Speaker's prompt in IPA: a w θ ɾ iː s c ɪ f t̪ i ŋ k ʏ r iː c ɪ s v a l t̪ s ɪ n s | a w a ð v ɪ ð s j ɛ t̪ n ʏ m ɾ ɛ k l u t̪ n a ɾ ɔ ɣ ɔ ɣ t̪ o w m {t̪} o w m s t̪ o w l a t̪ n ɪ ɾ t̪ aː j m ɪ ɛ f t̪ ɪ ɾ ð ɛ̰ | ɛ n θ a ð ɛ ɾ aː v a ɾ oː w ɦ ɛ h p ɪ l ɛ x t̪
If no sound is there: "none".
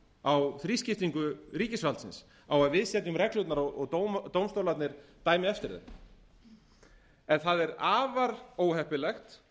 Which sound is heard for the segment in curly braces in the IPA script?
t̪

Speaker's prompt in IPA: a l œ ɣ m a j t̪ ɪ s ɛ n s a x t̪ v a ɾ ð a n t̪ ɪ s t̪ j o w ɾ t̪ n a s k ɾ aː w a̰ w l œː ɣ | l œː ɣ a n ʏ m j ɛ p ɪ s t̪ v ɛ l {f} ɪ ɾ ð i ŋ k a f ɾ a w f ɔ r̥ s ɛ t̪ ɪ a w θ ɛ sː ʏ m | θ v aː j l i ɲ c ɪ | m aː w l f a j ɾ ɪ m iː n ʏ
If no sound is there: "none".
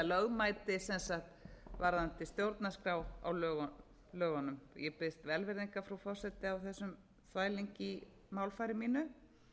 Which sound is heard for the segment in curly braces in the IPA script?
v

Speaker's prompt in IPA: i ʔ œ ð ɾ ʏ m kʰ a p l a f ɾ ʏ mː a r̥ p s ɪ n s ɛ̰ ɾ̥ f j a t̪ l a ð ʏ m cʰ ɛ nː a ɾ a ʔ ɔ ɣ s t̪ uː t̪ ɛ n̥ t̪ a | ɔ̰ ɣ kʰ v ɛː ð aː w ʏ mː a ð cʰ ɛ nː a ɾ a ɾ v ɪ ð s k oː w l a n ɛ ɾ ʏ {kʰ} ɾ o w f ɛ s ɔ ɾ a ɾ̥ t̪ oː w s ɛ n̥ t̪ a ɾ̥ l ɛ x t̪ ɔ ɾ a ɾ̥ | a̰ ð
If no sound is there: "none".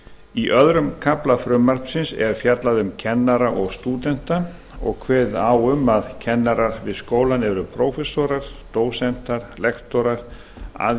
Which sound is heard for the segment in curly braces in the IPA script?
pʰ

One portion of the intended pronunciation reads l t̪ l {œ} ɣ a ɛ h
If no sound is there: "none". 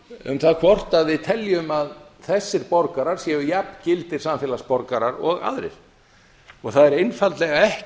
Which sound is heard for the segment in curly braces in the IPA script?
ɛ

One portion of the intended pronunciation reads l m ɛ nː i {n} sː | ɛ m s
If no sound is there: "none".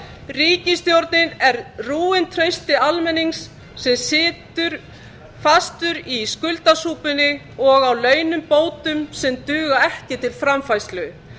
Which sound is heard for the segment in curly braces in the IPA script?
ŋ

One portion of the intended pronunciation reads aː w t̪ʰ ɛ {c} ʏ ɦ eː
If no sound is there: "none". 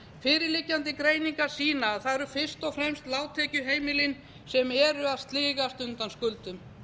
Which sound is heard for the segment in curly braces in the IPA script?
c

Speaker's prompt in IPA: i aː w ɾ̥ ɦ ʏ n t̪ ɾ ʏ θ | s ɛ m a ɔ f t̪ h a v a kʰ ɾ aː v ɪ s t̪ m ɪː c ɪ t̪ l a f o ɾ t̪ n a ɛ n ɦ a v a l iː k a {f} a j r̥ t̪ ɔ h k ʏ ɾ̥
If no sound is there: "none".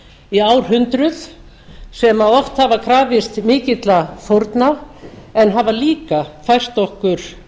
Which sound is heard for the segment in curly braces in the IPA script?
f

